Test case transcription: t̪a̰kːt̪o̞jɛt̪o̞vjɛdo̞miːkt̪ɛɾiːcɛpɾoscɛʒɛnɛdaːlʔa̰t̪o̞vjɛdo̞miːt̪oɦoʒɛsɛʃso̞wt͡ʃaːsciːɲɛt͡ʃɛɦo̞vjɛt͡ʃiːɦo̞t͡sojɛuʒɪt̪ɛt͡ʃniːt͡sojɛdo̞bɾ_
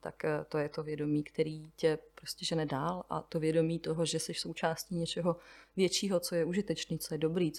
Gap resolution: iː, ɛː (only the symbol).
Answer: iː